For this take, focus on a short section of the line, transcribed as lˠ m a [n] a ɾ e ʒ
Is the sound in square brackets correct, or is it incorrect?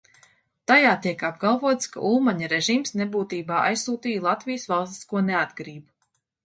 incorrect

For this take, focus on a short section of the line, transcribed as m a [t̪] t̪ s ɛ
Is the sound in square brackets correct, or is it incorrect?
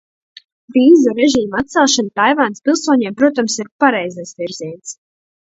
correct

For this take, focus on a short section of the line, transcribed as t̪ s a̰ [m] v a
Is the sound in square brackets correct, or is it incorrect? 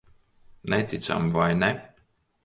correct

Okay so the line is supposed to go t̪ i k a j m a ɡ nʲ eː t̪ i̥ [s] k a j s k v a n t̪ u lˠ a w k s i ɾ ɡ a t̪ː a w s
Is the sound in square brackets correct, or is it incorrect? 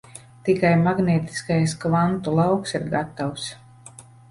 correct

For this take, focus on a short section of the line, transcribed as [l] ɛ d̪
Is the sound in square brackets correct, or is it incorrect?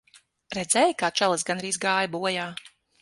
incorrect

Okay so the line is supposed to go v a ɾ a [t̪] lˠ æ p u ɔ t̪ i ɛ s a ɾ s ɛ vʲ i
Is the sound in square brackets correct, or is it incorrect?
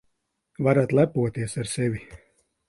correct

